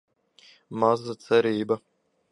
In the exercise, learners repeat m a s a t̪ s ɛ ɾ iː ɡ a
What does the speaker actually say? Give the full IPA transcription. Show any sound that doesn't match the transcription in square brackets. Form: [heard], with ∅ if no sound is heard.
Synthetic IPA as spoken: m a [z] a t̪ s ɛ ɾ iː [b] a